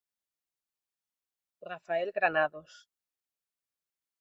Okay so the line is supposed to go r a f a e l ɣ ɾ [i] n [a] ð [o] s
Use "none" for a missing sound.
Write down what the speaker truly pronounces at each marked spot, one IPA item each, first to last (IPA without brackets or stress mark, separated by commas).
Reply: a, a, o